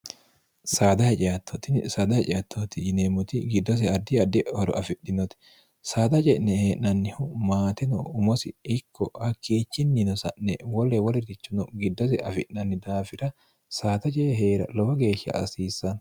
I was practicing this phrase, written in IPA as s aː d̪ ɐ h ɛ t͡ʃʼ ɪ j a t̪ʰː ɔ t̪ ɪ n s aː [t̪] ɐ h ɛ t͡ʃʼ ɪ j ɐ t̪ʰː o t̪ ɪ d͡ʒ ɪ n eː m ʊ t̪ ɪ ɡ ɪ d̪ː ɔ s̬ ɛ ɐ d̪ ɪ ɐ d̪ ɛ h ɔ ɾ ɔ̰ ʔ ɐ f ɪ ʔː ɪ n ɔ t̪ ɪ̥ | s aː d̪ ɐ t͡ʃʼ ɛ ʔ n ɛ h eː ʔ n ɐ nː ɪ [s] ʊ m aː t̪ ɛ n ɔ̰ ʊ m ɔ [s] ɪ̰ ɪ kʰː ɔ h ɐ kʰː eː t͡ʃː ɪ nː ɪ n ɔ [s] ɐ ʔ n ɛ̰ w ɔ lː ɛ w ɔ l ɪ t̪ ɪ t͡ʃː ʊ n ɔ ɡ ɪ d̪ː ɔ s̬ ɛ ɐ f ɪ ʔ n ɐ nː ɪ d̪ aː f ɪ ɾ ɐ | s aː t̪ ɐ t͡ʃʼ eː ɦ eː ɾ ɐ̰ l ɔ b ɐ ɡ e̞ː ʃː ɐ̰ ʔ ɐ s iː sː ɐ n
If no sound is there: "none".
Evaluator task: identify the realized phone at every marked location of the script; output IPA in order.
d̪, h, s, s

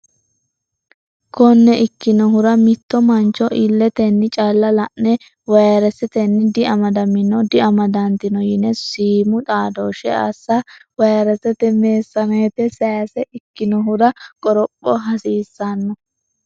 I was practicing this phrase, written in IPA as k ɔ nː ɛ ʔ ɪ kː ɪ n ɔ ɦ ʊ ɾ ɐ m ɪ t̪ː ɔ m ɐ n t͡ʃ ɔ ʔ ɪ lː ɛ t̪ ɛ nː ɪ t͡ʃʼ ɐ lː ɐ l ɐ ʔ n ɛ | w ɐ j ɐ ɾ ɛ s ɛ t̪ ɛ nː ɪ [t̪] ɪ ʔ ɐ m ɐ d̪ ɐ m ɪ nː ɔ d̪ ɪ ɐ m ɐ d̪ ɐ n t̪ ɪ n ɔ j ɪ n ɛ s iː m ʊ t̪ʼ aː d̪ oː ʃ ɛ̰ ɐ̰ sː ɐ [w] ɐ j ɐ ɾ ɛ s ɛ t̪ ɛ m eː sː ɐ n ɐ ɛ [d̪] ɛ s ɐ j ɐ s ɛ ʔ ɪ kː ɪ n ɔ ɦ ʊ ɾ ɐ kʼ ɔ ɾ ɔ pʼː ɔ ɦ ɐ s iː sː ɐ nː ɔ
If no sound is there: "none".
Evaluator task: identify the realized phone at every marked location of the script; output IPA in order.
d̪, w, t̪

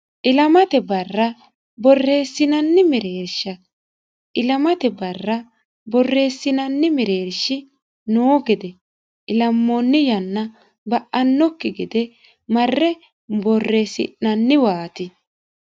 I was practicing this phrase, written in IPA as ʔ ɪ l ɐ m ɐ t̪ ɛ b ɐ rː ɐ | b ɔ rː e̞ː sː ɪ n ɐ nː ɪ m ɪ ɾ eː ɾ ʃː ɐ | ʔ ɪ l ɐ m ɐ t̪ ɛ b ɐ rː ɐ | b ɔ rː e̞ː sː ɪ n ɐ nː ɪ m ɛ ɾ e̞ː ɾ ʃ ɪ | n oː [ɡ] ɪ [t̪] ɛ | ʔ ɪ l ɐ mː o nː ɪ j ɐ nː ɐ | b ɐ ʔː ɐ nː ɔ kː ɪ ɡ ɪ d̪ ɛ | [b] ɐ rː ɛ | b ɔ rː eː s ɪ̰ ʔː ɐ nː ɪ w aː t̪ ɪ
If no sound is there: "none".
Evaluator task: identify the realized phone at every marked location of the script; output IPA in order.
ɡ, d̪, m

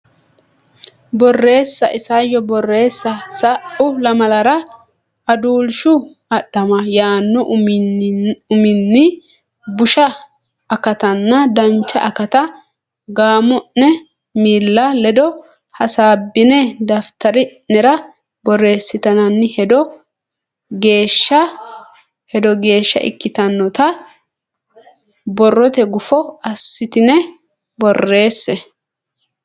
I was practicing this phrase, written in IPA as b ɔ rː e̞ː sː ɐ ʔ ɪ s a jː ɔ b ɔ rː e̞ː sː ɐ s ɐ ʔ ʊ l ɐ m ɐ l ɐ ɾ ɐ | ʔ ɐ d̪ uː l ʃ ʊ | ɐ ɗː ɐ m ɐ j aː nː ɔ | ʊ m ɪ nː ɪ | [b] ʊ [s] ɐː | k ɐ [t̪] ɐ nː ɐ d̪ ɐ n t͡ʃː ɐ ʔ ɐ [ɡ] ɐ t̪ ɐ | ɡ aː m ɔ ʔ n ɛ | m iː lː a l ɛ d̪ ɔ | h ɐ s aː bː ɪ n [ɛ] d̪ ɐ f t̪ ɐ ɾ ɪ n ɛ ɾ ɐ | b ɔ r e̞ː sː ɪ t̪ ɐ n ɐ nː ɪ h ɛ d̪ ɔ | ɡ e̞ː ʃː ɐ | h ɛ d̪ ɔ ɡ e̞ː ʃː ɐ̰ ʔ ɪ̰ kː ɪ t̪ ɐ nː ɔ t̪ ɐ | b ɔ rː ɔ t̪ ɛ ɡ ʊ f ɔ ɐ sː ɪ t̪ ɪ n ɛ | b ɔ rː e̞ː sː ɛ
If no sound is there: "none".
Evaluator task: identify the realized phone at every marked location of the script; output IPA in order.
b, ʃ, t̪, k, ɛ

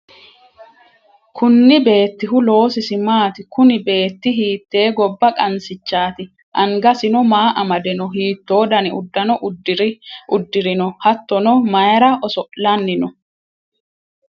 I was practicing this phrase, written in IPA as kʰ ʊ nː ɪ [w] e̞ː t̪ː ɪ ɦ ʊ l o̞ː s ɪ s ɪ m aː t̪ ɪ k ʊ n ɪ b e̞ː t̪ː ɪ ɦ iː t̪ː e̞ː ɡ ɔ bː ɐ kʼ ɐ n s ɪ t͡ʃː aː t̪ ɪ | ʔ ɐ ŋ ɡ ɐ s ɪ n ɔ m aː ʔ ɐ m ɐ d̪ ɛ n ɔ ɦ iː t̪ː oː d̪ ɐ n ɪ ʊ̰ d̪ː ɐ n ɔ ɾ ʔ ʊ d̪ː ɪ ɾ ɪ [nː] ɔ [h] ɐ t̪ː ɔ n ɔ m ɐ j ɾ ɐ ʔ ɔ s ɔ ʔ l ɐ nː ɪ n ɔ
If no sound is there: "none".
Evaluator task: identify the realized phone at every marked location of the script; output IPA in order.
b, n, h

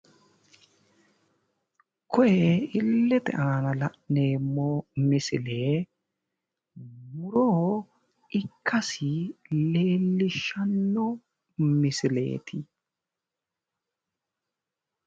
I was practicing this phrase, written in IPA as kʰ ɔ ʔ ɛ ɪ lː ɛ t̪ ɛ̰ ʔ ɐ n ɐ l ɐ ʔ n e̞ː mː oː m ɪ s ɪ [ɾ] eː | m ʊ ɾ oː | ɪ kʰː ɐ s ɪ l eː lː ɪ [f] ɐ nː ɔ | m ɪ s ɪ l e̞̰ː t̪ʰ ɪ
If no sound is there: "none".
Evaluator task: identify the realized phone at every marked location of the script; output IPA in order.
l, ʃ

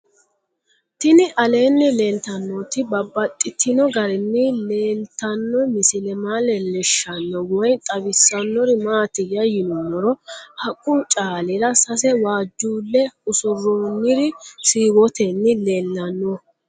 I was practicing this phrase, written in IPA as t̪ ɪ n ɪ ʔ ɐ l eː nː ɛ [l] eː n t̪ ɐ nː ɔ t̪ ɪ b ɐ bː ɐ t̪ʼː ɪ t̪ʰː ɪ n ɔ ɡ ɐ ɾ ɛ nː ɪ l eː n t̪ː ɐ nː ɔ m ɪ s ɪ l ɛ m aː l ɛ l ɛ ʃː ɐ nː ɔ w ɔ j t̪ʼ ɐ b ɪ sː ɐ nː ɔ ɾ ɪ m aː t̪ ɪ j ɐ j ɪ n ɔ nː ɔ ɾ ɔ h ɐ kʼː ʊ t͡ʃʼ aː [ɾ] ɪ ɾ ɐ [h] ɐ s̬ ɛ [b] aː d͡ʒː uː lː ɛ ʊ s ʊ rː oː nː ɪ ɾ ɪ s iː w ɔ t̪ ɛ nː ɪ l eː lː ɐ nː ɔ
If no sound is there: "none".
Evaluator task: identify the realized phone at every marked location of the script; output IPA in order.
l, l, s, w

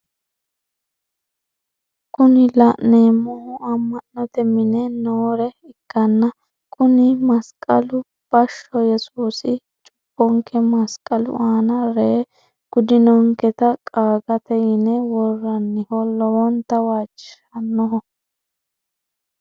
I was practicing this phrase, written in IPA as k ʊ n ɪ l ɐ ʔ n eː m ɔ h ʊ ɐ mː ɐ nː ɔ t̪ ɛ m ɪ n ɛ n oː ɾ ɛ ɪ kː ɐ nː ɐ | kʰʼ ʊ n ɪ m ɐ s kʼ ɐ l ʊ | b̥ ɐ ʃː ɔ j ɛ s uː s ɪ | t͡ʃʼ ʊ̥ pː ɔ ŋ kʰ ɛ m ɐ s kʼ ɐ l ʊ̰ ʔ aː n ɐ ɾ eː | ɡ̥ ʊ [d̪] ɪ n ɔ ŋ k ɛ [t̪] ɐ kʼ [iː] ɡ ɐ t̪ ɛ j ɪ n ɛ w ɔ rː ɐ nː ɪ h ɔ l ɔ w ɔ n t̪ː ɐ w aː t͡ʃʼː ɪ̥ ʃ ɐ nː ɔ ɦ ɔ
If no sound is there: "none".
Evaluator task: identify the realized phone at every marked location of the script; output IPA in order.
d̪, t̪, aː

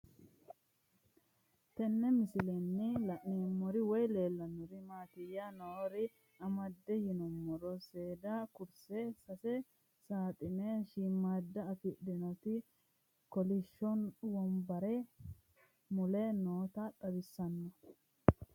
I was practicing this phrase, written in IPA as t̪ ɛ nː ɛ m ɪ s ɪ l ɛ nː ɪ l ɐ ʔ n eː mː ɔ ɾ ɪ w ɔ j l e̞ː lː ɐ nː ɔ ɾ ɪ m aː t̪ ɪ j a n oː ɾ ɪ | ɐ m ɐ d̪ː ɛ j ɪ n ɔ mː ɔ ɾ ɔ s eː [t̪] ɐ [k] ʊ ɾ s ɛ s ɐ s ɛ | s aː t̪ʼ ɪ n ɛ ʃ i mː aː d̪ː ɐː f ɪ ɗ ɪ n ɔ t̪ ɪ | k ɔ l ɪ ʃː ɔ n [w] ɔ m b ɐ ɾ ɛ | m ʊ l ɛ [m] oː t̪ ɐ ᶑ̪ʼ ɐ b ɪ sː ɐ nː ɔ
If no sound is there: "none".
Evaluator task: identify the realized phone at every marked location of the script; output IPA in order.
d̪, k, w, n

